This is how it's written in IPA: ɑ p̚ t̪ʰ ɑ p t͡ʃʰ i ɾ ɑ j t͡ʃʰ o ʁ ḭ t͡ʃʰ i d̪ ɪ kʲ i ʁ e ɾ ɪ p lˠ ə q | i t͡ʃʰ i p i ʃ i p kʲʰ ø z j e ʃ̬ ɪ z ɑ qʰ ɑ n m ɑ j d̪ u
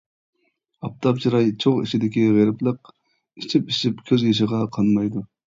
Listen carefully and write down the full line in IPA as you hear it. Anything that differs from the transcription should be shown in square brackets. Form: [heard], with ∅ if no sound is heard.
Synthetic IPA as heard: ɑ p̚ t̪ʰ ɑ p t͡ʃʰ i ɾ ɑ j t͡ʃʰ o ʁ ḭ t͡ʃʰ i d̪ ɪ kʲ i ʁ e ɾ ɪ p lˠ ə q | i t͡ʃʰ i p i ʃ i p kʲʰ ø z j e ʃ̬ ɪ [ʁ] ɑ qʰ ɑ n m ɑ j d̪ u